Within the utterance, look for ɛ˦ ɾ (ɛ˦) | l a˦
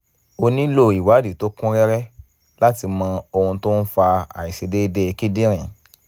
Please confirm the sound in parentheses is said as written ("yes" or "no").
yes